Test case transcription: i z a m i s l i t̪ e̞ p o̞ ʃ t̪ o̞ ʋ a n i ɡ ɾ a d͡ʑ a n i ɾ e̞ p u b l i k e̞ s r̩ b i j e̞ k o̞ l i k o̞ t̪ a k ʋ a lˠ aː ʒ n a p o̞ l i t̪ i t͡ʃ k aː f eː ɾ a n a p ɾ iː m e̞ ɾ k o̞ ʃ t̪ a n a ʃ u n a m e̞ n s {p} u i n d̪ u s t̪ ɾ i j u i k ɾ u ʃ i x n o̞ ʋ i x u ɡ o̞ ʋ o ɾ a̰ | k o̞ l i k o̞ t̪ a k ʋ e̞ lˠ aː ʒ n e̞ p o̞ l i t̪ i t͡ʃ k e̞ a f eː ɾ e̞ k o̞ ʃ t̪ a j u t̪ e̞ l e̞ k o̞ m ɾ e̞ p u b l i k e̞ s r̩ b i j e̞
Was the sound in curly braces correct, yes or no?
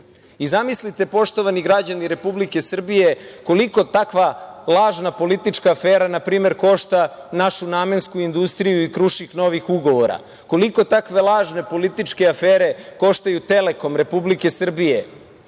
no